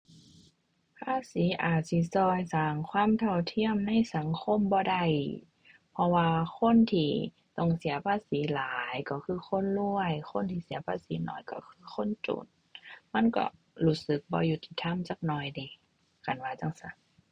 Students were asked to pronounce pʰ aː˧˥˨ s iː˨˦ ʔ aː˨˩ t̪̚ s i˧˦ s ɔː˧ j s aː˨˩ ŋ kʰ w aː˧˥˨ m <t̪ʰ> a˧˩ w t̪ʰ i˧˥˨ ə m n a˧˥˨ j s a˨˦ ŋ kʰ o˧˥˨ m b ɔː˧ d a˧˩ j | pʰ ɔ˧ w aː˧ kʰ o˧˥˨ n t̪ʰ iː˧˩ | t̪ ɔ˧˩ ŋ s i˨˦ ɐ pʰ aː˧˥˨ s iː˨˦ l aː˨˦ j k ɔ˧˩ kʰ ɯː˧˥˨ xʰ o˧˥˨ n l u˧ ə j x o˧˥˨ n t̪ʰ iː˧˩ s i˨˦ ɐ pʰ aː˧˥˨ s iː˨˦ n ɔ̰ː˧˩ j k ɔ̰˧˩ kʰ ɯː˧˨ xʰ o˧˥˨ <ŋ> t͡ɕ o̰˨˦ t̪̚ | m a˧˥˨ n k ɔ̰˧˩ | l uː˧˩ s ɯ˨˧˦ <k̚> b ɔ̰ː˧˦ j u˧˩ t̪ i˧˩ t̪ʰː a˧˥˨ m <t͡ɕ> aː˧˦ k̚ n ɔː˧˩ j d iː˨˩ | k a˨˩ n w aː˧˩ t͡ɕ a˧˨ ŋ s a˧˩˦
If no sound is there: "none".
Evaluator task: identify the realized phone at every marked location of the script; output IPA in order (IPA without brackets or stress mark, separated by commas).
t̪ʰ, n, k̚, t͡ɕ